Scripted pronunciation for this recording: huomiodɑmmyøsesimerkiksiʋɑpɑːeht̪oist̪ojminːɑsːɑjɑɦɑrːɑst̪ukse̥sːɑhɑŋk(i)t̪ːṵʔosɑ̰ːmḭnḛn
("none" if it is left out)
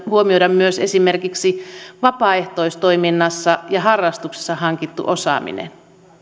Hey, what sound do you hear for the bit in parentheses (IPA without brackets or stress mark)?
i